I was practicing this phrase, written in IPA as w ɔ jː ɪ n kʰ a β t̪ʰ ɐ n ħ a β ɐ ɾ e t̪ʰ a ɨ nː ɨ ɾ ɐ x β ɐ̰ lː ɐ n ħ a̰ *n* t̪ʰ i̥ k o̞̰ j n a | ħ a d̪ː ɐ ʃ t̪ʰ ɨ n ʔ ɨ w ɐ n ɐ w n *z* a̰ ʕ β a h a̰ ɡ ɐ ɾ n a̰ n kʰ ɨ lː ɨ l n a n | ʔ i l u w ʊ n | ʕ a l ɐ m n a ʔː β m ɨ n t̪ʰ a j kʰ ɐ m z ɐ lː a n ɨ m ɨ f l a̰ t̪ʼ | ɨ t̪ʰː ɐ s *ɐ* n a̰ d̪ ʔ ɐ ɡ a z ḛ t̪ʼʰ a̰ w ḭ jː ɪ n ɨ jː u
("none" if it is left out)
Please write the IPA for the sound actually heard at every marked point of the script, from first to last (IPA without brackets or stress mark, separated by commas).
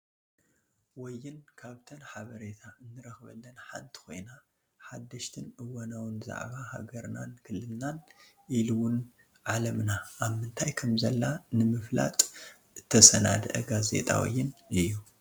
n, z, ɐ